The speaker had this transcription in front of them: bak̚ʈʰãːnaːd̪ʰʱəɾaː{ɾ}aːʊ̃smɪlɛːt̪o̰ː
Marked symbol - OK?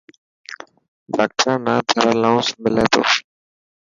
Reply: no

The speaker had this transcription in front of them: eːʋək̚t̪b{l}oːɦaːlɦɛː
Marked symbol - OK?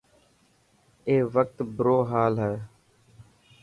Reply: no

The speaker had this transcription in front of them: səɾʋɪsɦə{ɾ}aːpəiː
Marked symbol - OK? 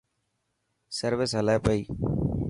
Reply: no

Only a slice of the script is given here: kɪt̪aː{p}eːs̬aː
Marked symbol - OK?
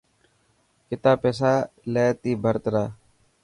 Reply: yes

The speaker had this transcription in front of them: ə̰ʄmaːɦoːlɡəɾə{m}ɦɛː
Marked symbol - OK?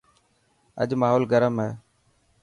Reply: yes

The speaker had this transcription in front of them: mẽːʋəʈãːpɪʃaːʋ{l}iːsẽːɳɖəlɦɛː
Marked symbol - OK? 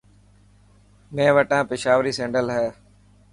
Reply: no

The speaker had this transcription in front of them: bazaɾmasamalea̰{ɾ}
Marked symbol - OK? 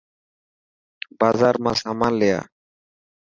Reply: no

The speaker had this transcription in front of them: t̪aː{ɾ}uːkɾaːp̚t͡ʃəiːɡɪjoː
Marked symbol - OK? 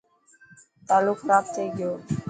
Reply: no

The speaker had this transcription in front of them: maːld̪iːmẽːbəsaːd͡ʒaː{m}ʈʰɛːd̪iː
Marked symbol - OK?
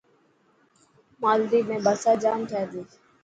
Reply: yes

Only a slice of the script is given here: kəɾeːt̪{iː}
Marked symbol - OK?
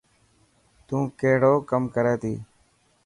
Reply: yes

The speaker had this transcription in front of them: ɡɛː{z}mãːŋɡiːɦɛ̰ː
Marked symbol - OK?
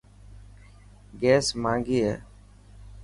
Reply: no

